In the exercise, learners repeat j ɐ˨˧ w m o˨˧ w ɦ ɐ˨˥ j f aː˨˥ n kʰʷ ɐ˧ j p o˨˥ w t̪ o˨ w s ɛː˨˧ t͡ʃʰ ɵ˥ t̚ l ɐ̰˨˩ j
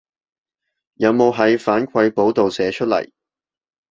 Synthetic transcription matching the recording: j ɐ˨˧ w m o˨˧ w ɦ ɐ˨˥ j f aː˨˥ n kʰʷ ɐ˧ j p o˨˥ w t̪ o˨ w s ɛː˨˧ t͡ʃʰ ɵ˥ t̚ l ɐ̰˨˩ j

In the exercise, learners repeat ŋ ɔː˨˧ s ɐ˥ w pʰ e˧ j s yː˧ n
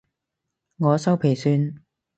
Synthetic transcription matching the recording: ŋ ɔː˨˧ s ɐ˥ w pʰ e˨˩ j s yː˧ n

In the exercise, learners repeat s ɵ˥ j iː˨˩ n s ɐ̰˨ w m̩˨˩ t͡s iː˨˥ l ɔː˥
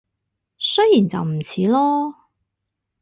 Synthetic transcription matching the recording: s ɵ˥ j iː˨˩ n t͡s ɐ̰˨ w m̩˨˩ t͡sʰ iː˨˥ l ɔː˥

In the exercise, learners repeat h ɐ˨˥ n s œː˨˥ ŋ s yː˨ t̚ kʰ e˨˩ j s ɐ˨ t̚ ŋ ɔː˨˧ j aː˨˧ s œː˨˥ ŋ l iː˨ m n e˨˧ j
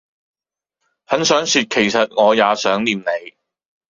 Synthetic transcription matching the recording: h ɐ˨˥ n s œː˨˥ ŋ s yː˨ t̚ kʰ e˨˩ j s ɐ˨ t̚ ŋ ɔː˨˧ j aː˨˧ s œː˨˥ ŋ l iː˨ m n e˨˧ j

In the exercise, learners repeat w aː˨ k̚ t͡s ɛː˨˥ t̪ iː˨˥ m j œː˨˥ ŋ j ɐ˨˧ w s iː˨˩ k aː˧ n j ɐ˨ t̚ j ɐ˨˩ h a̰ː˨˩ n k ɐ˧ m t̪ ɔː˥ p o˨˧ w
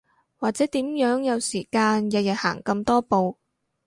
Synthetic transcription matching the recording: w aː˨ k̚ t͡s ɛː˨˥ t̪ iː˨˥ m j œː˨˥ ŋ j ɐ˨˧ w s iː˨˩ k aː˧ n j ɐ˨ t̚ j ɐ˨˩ h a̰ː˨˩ ŋ k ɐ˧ m t̪ ɔː˥ p o˨˧ w

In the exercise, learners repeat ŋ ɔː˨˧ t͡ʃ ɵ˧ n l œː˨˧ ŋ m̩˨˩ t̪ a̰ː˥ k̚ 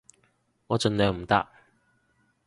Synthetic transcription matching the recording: ŋ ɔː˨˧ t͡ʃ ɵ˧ n l œː˨˧ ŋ m̩˨˩ t̪ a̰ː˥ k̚

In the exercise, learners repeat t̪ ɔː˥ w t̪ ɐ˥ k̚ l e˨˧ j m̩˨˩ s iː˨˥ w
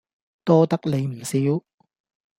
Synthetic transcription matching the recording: t̪ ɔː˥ t̪ ɐ˥ k̚ l e˨˧ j m̩˨˩ s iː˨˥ w

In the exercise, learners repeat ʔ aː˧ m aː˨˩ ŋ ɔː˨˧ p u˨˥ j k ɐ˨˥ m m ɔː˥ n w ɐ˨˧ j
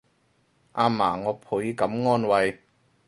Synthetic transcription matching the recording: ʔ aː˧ m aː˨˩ ŋ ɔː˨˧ pʰ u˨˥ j k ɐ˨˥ m ŋ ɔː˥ n w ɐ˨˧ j

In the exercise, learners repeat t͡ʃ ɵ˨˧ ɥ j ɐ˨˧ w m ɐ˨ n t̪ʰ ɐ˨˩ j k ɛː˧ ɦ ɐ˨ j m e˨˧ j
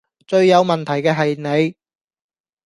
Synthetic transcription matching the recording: t͡ʃ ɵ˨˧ ɥ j ɐ˨˧ w m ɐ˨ n t̪ʰ ɐ˨˩ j k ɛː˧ ɦ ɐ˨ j n e˨˧ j

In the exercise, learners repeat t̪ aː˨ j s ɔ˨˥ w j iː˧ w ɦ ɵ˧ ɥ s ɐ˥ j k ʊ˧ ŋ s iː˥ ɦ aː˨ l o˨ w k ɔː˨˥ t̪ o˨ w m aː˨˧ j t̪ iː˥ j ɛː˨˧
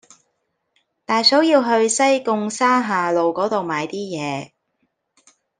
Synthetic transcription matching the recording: t̪ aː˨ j s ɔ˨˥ w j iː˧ w ɦ ɵ˧ ɥ s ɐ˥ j k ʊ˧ ŋ s aː˥ ɦ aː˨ l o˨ w k ɔː˨˥ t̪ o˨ w m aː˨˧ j t̪ iː˥ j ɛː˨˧

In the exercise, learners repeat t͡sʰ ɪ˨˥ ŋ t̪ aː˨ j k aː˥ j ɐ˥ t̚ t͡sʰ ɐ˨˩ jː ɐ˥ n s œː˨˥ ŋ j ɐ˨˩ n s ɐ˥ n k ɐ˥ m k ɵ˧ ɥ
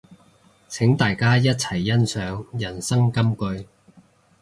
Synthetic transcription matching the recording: t͡sʰ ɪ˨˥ ŋ t̪ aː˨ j k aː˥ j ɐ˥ t̚ t͡sʰ ɐ˨˩ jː ɐ˥ n s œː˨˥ ŋ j ɐ˨˩ n s ɐ˥ ŋ k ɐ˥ m k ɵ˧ ɥ

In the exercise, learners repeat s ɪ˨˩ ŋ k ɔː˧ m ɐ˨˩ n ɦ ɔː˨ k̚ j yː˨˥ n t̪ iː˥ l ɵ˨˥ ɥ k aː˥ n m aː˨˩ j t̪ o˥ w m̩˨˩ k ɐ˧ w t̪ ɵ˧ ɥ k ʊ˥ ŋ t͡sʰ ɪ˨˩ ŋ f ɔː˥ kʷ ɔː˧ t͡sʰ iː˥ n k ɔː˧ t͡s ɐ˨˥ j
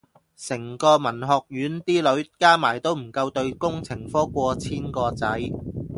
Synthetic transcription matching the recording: s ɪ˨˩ ŋ k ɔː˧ m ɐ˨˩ n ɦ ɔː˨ k̚ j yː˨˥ n t̪ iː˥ l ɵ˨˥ ɥ k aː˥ m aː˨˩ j t̪ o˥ w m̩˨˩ k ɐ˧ w t̪ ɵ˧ ɥ k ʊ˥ ŋ t͡sʰ ɪ˨˩ ŋ f ɔː˥ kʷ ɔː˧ t͡sʰ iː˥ n k ɔː˧ t͡s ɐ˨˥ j

